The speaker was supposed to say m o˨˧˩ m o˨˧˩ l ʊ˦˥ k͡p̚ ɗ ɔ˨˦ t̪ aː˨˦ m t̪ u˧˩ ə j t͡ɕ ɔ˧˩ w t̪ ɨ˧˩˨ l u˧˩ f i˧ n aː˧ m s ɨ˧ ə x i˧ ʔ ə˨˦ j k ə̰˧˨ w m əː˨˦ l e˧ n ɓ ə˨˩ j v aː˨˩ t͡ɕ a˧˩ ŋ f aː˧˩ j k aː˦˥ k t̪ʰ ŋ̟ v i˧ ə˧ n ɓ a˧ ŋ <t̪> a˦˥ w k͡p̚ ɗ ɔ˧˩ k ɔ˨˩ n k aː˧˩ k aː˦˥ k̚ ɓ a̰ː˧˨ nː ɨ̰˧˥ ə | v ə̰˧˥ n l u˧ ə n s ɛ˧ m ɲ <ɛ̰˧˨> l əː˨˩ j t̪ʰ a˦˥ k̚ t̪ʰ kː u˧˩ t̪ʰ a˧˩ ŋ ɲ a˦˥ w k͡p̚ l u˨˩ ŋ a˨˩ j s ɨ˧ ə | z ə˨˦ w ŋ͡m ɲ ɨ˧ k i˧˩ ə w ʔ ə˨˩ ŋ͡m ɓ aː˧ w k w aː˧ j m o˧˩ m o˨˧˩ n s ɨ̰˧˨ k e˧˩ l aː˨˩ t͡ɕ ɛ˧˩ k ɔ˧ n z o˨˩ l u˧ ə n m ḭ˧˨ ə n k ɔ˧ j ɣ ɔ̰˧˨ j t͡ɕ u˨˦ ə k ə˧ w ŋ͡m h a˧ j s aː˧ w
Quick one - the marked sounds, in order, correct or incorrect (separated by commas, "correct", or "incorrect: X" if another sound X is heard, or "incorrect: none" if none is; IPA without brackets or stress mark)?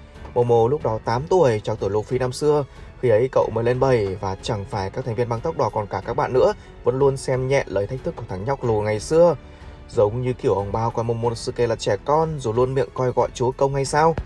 correct, correct